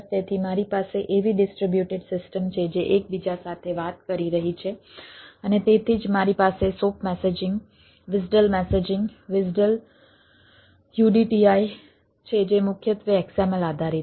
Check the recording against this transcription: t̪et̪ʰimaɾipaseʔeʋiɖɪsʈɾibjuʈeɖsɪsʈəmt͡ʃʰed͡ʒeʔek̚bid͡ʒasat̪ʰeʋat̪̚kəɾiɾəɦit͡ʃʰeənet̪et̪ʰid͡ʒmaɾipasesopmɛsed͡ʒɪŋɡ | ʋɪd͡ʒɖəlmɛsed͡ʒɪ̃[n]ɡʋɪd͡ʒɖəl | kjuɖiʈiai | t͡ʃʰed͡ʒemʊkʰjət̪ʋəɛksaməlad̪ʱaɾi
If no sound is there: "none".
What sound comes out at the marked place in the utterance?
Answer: ŋ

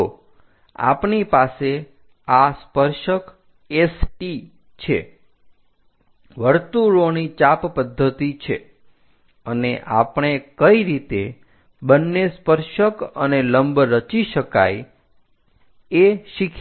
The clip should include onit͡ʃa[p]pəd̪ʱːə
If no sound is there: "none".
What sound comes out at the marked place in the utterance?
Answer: p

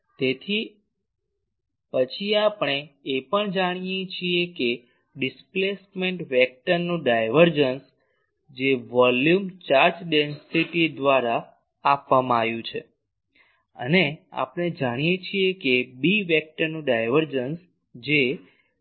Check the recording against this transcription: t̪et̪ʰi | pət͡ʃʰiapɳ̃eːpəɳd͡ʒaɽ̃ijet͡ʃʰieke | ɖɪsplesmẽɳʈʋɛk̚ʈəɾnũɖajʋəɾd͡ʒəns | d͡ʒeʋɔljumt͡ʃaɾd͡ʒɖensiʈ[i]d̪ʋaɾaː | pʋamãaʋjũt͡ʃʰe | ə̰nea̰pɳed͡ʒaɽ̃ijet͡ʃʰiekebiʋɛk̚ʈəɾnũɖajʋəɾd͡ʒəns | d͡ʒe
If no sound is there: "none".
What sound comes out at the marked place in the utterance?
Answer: i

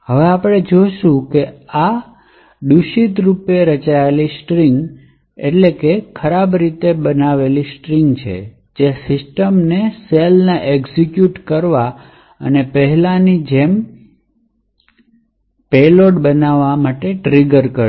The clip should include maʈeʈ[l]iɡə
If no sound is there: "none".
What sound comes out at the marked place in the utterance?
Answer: ɾ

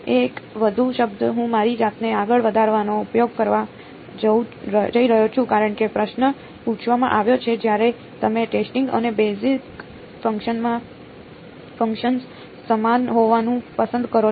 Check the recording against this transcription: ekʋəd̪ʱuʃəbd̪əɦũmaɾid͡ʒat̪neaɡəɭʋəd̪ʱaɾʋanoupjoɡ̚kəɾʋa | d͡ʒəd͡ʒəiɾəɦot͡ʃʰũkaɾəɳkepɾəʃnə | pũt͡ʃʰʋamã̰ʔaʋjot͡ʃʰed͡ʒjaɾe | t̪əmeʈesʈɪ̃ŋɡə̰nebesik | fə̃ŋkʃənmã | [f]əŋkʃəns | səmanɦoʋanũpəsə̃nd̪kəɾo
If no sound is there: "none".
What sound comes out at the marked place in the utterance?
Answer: f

